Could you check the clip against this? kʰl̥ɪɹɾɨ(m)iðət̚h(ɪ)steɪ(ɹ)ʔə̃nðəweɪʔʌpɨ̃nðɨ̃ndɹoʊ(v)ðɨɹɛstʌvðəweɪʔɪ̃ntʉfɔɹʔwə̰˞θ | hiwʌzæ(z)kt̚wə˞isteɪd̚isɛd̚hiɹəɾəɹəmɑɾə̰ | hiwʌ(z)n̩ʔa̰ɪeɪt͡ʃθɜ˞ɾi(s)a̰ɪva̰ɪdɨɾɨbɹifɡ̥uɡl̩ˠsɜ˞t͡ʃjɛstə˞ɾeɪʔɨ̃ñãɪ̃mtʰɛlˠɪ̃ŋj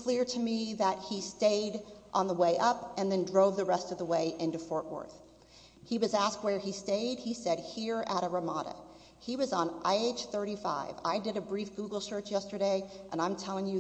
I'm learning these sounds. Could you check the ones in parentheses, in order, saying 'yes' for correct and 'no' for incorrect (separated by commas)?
yes, no, no, yes, no, yes, no